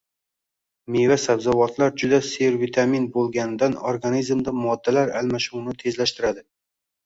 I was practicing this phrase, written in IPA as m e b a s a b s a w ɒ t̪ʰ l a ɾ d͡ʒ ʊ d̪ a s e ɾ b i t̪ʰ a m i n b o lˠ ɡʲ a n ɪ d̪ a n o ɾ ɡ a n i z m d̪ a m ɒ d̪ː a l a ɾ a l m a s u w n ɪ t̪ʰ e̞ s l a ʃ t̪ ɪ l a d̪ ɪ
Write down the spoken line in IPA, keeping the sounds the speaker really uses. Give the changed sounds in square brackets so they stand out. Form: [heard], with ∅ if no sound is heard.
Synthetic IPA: m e [v] a s a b [z] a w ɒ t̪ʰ l a ɾ d͡ʒ ʊ d̪ a s e ɾ [v] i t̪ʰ a m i n b o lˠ ɡʲ a n ɪ d̪ a n o ɾ ɡ a n i z m d̪ a m ɒ d̪ː a l a ɾ a l m a [ʃ] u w n ɪ t̪ʰ e̞ [z] l a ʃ t̪ ɪ [ɾ] a d̪ ɪ